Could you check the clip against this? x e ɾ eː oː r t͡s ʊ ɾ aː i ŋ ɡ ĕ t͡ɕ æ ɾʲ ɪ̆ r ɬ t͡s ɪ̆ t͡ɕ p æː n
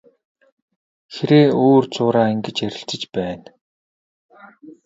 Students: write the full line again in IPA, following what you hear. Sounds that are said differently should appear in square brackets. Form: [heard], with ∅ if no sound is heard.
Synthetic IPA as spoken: x e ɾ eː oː r t͡s [ʊː] ɾ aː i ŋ ɡ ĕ t͡ɕ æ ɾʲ ɪ̆ [∅] ɬ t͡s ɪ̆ t͡ɕ p æː n